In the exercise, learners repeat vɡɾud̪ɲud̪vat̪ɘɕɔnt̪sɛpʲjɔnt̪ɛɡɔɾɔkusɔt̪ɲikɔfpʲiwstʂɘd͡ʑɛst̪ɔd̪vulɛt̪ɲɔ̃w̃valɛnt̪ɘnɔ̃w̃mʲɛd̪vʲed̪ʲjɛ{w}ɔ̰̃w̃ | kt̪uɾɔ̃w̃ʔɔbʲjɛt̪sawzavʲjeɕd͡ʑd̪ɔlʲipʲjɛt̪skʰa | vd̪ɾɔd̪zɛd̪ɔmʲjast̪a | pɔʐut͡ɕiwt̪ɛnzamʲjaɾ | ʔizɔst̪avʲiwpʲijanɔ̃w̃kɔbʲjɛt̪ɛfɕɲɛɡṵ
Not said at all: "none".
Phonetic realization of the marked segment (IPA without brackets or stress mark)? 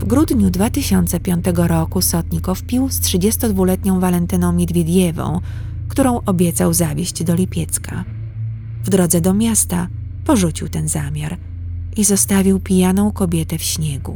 v